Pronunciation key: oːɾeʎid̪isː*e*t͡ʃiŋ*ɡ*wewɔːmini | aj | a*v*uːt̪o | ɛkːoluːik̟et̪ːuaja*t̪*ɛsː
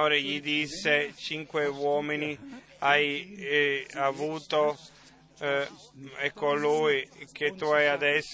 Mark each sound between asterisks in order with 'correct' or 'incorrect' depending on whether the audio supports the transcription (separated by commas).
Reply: correct, incorrect, correct, incorrect